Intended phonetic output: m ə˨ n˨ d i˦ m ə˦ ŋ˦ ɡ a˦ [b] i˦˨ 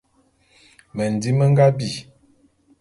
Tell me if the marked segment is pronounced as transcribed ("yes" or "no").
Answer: yes